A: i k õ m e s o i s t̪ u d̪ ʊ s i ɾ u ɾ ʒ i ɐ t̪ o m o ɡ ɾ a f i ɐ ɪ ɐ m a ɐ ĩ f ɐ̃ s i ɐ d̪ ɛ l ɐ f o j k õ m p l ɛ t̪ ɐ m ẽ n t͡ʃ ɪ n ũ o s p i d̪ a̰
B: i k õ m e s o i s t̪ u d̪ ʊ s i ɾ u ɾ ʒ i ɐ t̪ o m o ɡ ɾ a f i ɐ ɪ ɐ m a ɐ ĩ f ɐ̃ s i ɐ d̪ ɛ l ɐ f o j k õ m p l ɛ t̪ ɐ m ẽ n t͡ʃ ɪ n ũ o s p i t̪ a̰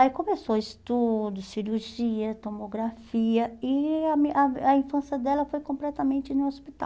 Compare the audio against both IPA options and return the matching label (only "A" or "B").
B